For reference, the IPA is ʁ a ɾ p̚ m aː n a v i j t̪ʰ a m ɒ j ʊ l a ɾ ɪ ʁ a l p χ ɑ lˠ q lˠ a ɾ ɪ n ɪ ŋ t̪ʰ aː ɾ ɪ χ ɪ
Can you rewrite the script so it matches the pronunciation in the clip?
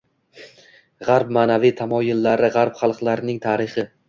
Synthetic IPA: ʁ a ɾ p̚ m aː n a v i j t̪ʰ a m ɒ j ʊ lː a ɾ ɪ ʁ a ɾ p χ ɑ lˠ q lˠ a ɾ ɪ n ɪ ŋ t̪ʰ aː ɾ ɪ χ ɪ